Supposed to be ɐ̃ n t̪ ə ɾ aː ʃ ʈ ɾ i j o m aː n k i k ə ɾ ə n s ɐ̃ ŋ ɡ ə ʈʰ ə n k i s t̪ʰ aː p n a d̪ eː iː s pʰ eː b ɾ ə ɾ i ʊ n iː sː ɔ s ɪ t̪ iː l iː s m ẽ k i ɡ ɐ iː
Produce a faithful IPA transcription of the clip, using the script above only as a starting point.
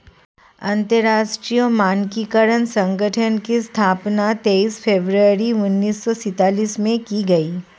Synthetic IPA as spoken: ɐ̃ n t̪ ə ɾ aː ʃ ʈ ɾ i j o m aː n k i k ə ɾ ə n s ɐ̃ ŋ ɡ ə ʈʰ ə n k i s t̪ʰ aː p n a t̪ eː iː s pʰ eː b ɾ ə ɾ i ʊ nː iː sː ɔ s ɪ t̪ aː l iː s m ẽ k i ɡ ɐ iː

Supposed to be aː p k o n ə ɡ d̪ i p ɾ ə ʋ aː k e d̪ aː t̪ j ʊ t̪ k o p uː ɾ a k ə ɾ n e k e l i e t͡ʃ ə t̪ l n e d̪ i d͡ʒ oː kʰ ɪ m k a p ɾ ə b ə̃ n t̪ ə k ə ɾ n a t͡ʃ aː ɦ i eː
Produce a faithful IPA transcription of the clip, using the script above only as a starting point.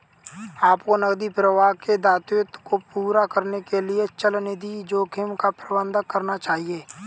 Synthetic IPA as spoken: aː p k o n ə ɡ d̪ i p ɾ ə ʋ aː k e d̪ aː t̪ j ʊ t̪ k o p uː ɾ a k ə ɾ n e k e l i e t͡ʃ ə l n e d̪ i d͡ʒ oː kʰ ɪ m k a p ɾ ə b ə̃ n d̪ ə k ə ɾ n a t͡ʃ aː ɦ i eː

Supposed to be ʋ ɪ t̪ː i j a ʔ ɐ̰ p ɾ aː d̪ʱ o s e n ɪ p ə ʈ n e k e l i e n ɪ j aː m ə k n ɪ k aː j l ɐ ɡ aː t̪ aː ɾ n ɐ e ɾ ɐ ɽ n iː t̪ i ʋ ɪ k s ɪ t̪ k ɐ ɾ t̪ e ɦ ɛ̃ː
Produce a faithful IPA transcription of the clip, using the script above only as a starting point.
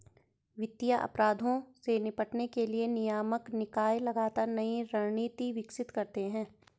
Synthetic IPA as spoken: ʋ ɪ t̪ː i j a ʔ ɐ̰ p ɾ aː d̪ʱ õ s e n ɪ p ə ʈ n e k e l i e n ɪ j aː m ə k n ɪ k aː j l ɐ ɡ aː t̪ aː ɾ n ɐ i ɾ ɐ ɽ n iː t̪ i ʋ ɪ k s ɪ t̪ k ɐ ɾ t̪ e ɦ ɛ̃ː

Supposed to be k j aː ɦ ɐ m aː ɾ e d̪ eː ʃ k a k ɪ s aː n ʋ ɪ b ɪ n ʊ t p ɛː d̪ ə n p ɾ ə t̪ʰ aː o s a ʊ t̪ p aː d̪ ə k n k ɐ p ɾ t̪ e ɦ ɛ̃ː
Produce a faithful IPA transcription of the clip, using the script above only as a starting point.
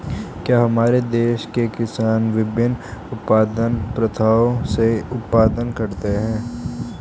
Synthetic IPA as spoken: k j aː ɦ ɐ m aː ɾ e d̪ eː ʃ k e k ɪ s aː n ʋ ɪ b ɪ n ʊ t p aː d̪ ə n p ɾ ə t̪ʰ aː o s e ʊ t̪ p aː d̪ ə n k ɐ ɾ t̪ e ɦ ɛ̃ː

